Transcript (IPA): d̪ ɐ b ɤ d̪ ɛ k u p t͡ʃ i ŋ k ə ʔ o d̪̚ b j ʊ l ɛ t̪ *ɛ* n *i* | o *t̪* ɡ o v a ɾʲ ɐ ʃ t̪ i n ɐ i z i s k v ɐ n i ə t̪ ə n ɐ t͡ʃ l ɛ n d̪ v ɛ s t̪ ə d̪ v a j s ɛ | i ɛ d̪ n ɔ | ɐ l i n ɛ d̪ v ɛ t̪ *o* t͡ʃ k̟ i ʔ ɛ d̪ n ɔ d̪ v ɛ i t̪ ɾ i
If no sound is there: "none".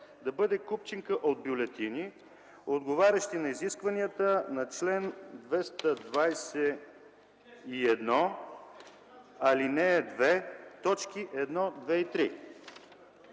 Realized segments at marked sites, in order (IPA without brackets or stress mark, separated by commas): i, i, d̪, ɔ